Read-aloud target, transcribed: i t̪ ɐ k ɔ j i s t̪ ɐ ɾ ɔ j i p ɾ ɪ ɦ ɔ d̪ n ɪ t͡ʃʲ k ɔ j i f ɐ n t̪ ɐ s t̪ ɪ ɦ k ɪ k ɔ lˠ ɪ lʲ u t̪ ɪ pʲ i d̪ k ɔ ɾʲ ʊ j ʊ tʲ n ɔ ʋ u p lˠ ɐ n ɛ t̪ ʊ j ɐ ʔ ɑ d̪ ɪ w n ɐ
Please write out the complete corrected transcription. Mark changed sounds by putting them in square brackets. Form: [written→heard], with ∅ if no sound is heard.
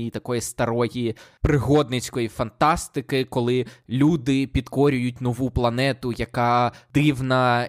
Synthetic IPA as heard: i t̪ ɐ k ɔ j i s t̪ ɐ ɾ ɔ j i p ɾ ɪ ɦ ɔ d̪ n ɪ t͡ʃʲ k ɔ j i f ɐ n t̪ [ɐ→ɑ] s t̪ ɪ [ɦ→∅] k ɪ k ɔ lˠ ɪ lʲ u [t̪→d̪] ɪ pʲ i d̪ k ɔ ɾʲ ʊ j ʊ tʲ n ɔ ʋ u p lˠ ɐ n ɛ t̪ ʊ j ɐ [ʔ→k] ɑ d̪ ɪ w n ɐ